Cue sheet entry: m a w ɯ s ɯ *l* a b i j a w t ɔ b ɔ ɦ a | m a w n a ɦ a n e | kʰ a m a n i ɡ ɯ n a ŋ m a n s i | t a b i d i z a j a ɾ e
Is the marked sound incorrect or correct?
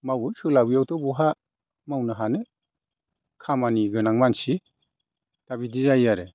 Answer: correct